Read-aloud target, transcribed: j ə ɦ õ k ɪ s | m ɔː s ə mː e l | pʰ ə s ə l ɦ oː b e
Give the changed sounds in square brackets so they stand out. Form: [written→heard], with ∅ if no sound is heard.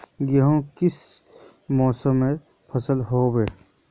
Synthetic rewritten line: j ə ɦ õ k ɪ s | m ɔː s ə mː e [l→∅] | pʰ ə s ə l ɦ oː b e

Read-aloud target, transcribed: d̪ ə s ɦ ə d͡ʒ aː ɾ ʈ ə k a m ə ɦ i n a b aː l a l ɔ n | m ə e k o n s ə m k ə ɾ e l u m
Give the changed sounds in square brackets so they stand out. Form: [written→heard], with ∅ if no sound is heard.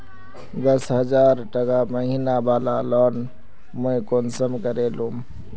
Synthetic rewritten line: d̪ ə s ɦ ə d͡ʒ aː ɾ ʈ ə k a m ə ɦ i n a b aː l a l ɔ n | m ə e k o n s ə m k ə ɾ e l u m

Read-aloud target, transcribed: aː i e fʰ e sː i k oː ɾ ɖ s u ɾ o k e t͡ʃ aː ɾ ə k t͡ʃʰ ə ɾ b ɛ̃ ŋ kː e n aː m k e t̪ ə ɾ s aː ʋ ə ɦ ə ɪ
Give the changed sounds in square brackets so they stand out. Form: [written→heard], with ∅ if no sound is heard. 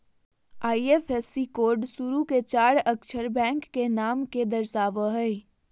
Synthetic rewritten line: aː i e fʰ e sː i k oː ɾ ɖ s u ɾ [o→u] k e t͡ʃ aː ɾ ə k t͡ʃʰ ə ɾ b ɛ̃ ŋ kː e n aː m k e [t̪→d̪] ə ɾ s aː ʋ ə ɦ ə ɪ

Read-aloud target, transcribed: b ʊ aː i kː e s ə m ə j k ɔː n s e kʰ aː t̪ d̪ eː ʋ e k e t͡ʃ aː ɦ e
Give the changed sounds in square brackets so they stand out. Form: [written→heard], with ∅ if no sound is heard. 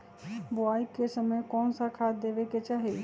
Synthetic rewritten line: b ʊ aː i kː e s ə m ə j k ɔː n s [e→a] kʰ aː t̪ d̪ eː ʋ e k e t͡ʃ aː ɦ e

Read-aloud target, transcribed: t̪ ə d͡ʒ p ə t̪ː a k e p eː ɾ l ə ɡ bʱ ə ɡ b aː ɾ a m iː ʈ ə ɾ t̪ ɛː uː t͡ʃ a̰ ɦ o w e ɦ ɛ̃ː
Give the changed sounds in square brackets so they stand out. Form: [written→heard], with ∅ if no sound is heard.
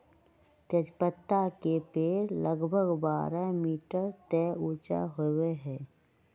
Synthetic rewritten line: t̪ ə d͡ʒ p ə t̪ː a k e p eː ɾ l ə ɡ bʱ ə ɡ b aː ɾ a m iː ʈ ə ɾ t̪ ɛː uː t͡ʃ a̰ ɦ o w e ɦ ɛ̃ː

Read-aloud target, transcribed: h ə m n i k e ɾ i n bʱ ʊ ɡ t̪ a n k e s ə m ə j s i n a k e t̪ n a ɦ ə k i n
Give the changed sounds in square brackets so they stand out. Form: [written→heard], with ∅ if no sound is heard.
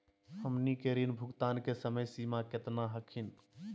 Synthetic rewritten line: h ə m n i k e ɾ i n bʱ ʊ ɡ t̪ a n k e s ə m ə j s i [n→m] a k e t̪ n a ɦ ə [k→kʰ] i n

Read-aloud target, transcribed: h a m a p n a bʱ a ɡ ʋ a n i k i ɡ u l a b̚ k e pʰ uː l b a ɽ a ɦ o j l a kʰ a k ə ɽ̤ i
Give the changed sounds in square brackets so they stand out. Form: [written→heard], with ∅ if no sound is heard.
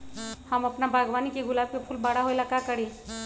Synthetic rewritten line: h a m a p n a bʱ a ɡ ʋ a n i k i ɡ u l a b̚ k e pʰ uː l b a ɽ a ɦ o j l a [kʰ→k] a k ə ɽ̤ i

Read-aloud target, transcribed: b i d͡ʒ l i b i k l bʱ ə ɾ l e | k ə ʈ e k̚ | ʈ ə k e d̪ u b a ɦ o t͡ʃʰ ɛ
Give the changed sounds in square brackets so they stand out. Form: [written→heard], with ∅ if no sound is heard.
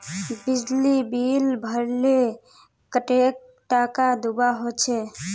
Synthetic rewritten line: b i d͡ʒ l i b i [k→∅] l bʱ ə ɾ l e | k ə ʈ e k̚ | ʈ [ə→a] k [e→a] d̪ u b a ɦ o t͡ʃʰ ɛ

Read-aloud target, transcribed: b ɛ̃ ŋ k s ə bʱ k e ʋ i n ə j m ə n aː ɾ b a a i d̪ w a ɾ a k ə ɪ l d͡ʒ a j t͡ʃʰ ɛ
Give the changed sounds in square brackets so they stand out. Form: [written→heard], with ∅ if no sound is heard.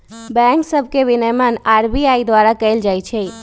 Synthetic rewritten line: b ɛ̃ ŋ k s ə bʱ k e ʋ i n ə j m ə n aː ɾ b [a→i] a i d̪ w a ɾ a k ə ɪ l d͡ʒ a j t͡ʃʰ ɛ

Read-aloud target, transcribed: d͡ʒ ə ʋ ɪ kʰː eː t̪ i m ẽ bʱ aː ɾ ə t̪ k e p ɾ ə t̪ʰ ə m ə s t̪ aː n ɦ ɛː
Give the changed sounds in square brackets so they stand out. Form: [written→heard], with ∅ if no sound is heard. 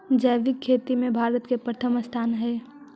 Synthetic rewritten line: d͡ʒ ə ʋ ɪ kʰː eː t̪ i m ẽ bʱ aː ɾ ə t̪ k e p ɾ ə t̪ʰ ə m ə s [t̪→t̪ʰ] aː n ɦ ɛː

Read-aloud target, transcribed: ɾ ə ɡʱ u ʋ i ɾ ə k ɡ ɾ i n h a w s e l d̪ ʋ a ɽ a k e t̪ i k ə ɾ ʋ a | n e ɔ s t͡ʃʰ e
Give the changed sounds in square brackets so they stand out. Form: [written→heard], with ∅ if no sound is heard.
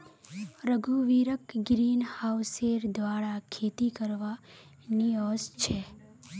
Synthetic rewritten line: ɾ ə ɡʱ u ʋ i ɾ ə k ɡ ɾ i n h a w s e [l→ɾ] d̪ ʋ a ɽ a [k→kʰ] e t̪ i k ə ɾ ʋ a | n [e→i] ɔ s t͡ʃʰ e

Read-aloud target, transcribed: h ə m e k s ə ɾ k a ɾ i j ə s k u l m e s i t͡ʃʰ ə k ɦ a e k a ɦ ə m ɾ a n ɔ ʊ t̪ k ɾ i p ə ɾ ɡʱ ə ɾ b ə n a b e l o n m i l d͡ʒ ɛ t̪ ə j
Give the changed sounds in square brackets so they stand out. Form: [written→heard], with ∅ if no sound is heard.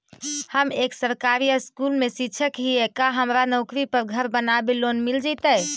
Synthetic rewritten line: h ə m e k s ə ɾ k a ɾ i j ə s k u l m e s i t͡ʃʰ ə k ɦ [a→i] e k a ɦ ə m ɾ a n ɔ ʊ [t̪→∅] k ɾ i p ə ɾ ɡʱ ə ɾ b ə n a b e l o n m i l d͡ʒ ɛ t̪ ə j

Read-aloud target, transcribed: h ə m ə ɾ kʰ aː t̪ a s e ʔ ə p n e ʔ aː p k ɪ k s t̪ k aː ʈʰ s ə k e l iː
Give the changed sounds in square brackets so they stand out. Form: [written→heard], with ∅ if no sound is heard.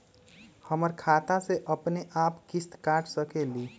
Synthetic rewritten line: h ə m ə ɾ kʰ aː t̪ a s e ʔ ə p n e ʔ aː p k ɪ [k→∅] s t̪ k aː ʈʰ s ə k e l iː

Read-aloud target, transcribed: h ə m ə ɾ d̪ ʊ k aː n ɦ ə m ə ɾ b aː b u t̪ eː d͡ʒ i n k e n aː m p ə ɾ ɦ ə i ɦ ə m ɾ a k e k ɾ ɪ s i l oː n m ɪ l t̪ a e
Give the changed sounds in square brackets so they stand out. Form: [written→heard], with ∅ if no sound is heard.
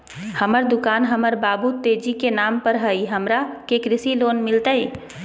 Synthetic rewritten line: h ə m ə ɾ d̪ ʊ k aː n ɦ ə m ə ɾ b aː b u t̪ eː d͡ʒ i [n→∅] k e n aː m p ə ɾ ɦ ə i ɦ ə m ɾ a k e k ɾ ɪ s i l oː n m ɪ l t̪ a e

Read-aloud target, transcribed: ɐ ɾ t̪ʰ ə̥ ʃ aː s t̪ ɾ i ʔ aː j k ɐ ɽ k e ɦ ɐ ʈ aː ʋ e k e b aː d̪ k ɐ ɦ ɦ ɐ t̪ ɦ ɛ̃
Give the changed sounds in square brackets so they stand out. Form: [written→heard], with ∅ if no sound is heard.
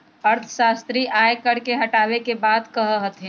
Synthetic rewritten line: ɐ ɾ t̪ʰ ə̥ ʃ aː s t̪ ɾ i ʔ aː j k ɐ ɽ k e ɦ ɐ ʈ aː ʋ e k e b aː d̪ k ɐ ɦ ɦ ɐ t̪ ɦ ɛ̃

